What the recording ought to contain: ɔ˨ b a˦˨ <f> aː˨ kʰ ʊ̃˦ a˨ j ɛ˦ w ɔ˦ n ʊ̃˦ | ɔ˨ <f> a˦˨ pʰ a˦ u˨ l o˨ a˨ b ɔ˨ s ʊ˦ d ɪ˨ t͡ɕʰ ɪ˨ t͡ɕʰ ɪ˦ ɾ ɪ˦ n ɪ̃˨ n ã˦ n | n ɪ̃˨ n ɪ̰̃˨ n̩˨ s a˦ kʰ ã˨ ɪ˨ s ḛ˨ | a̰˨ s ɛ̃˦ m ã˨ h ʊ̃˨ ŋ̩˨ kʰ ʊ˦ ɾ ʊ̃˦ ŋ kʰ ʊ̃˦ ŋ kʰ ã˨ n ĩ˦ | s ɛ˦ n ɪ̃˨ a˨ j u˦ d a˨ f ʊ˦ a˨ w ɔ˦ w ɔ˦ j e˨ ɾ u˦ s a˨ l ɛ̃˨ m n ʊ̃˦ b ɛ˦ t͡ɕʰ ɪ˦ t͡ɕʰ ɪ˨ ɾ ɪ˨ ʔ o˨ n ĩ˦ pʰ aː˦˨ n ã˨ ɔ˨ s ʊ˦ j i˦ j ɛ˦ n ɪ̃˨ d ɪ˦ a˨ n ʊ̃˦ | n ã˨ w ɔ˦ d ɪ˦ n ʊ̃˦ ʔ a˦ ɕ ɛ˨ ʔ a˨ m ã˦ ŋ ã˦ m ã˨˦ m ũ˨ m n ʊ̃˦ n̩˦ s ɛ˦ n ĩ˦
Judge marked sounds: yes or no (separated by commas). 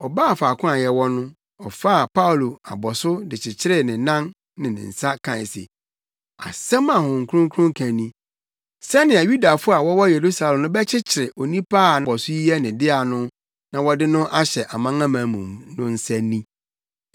yes, yes